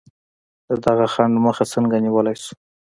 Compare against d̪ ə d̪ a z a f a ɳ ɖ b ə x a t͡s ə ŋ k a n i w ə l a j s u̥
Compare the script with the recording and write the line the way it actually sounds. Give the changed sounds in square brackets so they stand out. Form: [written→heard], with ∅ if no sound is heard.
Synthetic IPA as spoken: d̪ ə d̪ a [z→ɣ] a [f→x] a ɳ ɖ [b→m] ə x a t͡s ə ŋ [k→ɡ] a n i w ə l a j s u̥